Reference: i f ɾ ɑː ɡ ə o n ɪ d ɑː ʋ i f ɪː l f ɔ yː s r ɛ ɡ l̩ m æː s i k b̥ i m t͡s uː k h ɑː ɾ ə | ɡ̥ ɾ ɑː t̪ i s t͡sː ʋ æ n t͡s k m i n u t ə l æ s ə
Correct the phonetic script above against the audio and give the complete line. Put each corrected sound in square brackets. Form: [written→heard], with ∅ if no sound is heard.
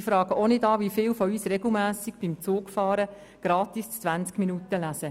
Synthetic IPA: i f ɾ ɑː ɡ ə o n ɪ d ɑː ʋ i f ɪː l f ɔ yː s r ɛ ɡ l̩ m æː s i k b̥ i m t͡s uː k [h→f] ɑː ɾ ə | ɡ̥ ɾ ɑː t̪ i s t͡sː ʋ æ n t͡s k m i n u t ə l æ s ə